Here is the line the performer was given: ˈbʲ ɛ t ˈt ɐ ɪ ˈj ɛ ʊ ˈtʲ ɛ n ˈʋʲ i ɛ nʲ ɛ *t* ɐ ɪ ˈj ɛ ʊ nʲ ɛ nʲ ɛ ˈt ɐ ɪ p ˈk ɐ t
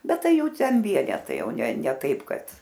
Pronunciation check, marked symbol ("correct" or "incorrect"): correct